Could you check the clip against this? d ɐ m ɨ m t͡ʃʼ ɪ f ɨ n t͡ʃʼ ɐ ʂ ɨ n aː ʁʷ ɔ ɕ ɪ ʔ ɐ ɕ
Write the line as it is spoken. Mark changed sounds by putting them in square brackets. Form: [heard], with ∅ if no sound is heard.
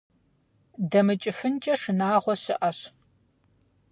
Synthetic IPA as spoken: d ɐ m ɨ [∅] t͡ʃʼ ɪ f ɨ n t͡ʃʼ ɐ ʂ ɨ n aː ʁʷ ɔ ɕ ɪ ʔ ɐ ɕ